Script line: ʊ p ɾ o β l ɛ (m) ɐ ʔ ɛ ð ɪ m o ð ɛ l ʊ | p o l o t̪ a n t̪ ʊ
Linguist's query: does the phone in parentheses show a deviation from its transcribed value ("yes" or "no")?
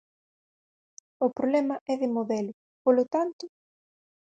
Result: no